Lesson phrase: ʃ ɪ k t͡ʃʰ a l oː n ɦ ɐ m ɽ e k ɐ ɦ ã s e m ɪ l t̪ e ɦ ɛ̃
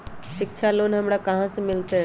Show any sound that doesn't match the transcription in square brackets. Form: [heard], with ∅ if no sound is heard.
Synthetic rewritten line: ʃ ɪ k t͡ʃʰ a l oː n ɦ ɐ m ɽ [a] k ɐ ɦ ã s e m ɪ l t̪ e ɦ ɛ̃